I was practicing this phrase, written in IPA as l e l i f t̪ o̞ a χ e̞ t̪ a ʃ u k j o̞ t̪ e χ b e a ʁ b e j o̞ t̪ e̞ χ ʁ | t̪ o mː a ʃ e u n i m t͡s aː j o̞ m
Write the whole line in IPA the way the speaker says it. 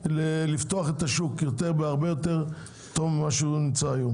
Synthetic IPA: l e l i f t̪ o̞ a χ e̞ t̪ a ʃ u k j o̞ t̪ e ʁ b e a ʁ b e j o̞ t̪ e̞ ʁ | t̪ o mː a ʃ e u n i m t͡s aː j o̞ m